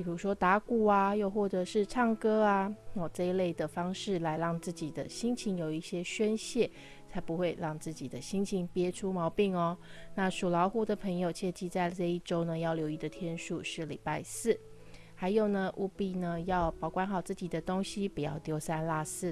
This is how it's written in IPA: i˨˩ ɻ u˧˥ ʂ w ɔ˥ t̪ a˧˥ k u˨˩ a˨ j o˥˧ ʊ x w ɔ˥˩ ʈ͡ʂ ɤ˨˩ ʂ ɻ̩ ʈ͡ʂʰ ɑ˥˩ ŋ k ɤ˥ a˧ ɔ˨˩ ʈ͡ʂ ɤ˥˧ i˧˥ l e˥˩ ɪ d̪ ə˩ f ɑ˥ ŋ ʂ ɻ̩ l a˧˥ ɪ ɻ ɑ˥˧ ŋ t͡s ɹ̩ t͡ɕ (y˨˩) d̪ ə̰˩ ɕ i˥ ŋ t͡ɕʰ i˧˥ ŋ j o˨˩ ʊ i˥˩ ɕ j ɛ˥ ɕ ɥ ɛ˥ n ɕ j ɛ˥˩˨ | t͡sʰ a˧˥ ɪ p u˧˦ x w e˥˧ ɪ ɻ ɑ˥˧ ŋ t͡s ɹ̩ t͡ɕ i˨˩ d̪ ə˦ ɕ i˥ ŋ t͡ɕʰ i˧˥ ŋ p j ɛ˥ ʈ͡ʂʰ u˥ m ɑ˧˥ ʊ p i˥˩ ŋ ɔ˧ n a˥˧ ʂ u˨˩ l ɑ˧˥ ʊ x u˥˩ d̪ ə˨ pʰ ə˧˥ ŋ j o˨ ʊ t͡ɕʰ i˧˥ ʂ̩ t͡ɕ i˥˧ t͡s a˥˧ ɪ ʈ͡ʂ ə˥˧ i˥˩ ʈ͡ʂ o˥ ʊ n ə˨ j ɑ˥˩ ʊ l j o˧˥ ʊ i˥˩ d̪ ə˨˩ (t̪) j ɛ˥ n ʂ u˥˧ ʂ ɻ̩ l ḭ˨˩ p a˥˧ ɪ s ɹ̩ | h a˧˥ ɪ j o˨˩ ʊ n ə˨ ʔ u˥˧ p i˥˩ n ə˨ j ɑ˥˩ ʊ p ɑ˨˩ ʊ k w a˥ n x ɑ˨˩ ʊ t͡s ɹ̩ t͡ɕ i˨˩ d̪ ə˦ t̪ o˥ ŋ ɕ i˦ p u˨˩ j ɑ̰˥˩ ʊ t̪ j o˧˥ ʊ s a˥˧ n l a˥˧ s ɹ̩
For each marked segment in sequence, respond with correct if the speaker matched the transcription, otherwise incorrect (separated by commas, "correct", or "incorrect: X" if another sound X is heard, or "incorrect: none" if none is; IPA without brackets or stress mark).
incorrect: i˨˩, incorrect: t̪ʰ